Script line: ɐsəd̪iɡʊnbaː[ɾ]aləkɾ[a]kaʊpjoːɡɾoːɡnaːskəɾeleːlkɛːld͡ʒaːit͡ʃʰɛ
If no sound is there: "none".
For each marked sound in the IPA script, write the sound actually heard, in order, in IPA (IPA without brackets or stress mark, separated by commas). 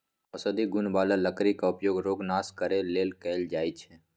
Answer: l, i